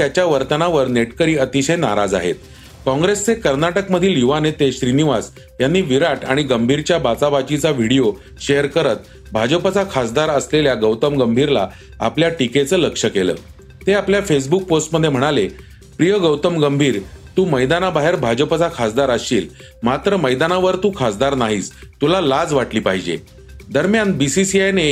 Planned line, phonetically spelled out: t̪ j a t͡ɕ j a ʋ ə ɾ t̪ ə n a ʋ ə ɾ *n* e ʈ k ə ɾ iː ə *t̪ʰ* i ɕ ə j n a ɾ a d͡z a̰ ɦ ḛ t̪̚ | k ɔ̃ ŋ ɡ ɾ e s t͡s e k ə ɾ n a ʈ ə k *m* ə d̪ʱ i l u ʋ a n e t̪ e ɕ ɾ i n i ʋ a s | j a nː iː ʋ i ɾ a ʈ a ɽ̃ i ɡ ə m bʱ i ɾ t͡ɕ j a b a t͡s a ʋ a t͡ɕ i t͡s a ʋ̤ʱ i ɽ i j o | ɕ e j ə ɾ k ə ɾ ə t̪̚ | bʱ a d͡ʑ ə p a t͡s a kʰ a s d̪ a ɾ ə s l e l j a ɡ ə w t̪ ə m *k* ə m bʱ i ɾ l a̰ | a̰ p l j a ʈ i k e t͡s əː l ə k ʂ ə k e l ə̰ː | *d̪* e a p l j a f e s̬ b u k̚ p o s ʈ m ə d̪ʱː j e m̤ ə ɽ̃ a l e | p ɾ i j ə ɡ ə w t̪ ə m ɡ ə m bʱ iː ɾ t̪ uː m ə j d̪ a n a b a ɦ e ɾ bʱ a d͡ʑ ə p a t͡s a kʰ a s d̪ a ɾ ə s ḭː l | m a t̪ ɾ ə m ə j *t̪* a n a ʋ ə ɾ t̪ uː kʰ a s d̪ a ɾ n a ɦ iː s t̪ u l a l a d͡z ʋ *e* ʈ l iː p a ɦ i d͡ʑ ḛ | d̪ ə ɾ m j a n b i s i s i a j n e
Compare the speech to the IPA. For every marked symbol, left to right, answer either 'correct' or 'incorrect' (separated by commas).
correct, incorrect, correct, incorrect, incorrect, incorrect, incorrect